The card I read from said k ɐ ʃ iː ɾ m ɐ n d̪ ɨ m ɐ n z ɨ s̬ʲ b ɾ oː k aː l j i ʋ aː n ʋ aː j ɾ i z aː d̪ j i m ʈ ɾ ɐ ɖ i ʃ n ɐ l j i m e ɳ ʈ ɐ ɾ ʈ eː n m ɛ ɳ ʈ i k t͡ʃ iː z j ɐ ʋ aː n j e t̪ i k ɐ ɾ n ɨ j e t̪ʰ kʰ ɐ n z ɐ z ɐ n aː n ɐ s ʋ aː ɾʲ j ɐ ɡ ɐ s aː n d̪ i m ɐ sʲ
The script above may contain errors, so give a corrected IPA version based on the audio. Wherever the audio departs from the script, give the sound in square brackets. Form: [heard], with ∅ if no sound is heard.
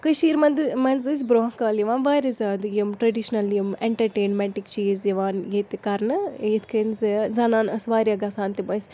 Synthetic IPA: k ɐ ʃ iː ɾ m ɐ n d̪ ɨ m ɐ n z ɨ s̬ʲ b ɾ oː k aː l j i ʋ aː n ʋ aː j ɾ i z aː d̪ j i m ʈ ɾ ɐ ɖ i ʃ n ɐ l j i m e ɳ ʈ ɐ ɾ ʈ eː n m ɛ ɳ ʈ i k t͡ʃ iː z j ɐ ʋ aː n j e t̪ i k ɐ ɾ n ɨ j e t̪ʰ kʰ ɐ n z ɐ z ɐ n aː n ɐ s ʋ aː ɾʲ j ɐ ɡ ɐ s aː n [t̪] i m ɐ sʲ

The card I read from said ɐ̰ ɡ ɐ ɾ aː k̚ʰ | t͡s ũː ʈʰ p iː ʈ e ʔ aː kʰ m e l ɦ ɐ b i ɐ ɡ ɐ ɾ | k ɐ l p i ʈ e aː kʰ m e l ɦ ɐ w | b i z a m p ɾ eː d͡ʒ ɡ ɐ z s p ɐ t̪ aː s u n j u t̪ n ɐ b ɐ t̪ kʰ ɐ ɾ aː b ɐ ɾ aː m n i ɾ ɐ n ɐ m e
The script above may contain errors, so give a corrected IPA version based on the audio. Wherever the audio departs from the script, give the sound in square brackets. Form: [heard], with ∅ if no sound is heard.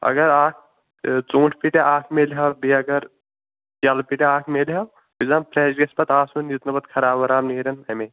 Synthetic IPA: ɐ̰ ɡ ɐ ɾ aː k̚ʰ | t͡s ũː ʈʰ p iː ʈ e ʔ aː kʰ m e l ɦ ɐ b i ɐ ɡ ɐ ɾ | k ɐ l p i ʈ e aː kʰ m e l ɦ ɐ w | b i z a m p ɾ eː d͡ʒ ɡ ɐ [∅] s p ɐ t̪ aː s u n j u t̪ n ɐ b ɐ t̪ kʰ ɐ ɾ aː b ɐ ɾ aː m n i ɾ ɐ n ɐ m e

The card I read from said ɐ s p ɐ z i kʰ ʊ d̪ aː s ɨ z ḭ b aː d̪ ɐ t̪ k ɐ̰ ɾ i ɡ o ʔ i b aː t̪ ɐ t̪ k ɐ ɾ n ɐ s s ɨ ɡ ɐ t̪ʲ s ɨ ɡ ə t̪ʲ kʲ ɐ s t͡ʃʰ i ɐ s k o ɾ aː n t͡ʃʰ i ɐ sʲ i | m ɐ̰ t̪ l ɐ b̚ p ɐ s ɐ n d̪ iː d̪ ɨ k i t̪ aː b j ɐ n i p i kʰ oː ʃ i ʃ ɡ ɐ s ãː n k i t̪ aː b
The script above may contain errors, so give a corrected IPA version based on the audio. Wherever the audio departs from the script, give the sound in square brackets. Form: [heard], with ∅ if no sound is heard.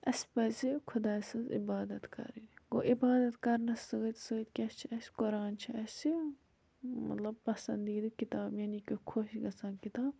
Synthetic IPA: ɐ s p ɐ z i kʰ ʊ d̪ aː s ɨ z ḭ b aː d̪ ɐ t̪ k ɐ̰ ɾ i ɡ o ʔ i b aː [d̪] ɐ t̪ k ɐ ɾ n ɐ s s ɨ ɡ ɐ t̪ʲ s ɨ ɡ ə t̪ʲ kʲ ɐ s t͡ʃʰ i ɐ s k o ɾ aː n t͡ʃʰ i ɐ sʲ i | m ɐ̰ t̪ l ɐ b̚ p ɐ s ɐ n d̪ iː d̪ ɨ k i t̪ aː b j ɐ n i [k] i kʰ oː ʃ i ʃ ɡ ɐ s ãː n k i t̪ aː b

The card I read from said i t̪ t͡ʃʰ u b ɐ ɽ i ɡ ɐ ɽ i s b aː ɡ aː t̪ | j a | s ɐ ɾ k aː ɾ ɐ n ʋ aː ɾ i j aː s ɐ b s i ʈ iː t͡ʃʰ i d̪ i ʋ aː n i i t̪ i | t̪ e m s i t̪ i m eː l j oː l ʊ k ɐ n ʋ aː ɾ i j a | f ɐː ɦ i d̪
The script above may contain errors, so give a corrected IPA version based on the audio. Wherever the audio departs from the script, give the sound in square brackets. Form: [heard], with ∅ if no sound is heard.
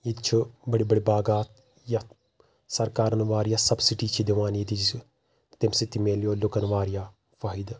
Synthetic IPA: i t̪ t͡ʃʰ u b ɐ ɽ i [b] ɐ ɽ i [∅] b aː ɡ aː t̪ | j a | s ɐ ɾ k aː ɾ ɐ n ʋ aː ɾ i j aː s ɐ b s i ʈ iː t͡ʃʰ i d̪ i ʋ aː n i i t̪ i | t̪ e m s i t̪ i m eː l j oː l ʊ k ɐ n ʋ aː ɾ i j a | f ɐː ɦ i d̪

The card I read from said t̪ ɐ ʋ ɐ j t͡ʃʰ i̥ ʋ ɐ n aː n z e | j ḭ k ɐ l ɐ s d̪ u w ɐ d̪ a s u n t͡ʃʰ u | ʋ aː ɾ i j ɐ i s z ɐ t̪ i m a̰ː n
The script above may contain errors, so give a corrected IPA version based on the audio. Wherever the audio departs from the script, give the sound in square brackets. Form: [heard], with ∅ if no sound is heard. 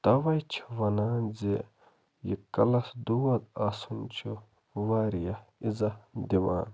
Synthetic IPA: t̪ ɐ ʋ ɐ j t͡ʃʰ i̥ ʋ ɐ n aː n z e | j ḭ k ɐ l ɐ s d̪ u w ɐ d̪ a s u n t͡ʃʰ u | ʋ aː ɾ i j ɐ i [∅] z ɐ [d̪] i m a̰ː n

